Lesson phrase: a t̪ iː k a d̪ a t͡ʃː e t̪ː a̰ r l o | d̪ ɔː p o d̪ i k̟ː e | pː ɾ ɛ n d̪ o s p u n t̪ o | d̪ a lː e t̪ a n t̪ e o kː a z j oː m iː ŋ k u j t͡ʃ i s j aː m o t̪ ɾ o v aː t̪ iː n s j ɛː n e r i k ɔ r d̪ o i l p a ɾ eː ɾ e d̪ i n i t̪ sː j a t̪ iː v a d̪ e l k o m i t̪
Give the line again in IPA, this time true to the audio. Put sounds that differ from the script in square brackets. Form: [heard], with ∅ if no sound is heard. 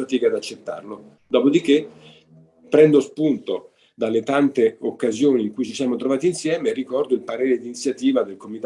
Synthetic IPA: a t̪ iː k a d̪ a t͡ʃː e t̪ː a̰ r l o | d̪ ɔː p o d̪ i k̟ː e | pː ɾ ɛ n d̪ o s p u n t̪ o | d̪ a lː e t̪ a n t̪ e o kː a z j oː [n] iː ŋ k u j t͡ʃ i s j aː m o t̪ ɾ o v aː t̪ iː n s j ɛː [m] e r i k ɔ r d̪ o i l p a ɾ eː ɾ e d̪ i n i t̪ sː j a t̪ iː v a d̪ e l k o m i t̪